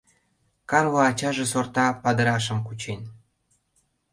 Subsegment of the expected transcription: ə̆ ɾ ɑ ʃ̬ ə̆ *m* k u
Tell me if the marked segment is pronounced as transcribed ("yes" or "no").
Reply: yes